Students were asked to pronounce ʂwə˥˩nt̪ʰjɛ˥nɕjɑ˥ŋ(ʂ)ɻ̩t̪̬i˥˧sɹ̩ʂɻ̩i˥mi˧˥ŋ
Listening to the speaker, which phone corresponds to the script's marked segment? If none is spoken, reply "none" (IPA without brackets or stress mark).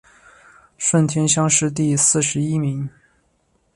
ʂ